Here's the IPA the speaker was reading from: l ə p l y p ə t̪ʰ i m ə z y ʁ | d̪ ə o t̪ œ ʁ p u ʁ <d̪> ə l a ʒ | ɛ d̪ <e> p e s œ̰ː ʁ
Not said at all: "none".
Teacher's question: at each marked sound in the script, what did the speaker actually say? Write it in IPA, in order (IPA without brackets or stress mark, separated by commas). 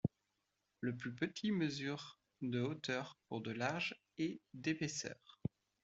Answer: d̪, e